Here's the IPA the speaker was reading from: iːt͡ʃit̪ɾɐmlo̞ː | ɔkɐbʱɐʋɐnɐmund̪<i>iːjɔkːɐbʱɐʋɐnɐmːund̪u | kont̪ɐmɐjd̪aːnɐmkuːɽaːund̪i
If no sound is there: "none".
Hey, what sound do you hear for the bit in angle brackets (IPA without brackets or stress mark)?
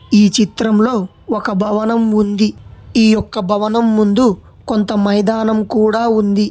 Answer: i